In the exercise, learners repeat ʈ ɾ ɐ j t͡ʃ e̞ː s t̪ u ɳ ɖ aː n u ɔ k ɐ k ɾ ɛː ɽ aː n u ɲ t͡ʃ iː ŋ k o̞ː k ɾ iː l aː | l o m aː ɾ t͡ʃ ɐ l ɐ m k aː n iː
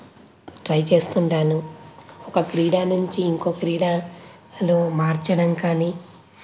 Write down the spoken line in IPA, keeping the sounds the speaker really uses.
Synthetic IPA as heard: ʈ ɾ ɐ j t͡ʃ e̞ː s t̪ u ɳ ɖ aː n u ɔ k ɐ k ɾ iː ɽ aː n u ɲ t͡ʃ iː ŋ k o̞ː k ɾ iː ɽ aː | l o m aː ɾ t͡ʃ ɐ ɽ ɐ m k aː n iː